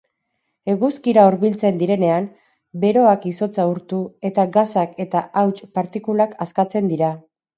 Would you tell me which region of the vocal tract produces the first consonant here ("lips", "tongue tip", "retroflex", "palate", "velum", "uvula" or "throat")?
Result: velum